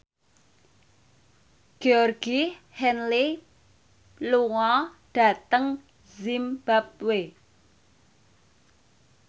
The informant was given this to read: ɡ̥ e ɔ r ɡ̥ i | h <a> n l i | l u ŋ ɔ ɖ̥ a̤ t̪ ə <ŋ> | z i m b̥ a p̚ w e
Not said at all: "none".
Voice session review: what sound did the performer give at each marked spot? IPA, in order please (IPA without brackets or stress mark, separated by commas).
ɛ, ŋ